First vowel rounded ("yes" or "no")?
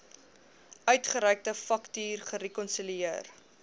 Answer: yes